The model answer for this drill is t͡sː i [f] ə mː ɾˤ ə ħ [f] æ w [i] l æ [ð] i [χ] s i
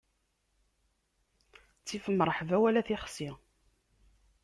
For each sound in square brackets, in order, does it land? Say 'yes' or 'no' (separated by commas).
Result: yes, no, no, no, yes